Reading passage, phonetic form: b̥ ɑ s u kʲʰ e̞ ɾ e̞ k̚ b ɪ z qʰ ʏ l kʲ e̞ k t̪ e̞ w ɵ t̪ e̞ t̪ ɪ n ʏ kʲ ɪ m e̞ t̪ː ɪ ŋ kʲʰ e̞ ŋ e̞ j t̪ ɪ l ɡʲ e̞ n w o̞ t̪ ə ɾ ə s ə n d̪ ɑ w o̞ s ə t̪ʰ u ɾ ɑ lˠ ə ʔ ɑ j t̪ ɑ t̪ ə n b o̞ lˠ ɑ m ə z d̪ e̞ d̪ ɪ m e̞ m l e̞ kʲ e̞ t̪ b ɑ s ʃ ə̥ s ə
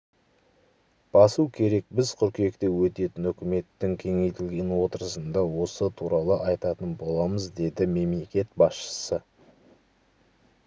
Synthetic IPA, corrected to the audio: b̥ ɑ s u kʲʰ e̞ ɾ e̞ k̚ b ɪ z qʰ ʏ ɾ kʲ e̞ k t̪ e̞ w ɵ t̪ e̞ t̪ ɪ n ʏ kʲ ɪ m e̞ t̪ː ɪ ŋ kʲʰ e̞ ŋ e̞ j t̪ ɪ l ɡʲ e̞ n w o̞ t̪ ə ɾ ə s ə n d̪ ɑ w o̞ s ə t̪ʰ u ɾ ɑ lˠ ə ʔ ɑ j t̪ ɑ t̪ ə n b o̞ lˠ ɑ m ə z d̪ e̞ d̪ ɪ m e̞ m l e̞ kʲ e̞ t̪ b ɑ s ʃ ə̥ s ə